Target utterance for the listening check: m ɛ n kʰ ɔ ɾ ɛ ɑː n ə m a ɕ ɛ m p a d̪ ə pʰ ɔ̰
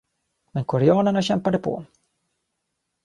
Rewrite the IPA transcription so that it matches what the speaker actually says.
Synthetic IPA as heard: m ɛ n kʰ ɔ ɾ ɛ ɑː n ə ɳ a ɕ ɛ m p a d̪ ə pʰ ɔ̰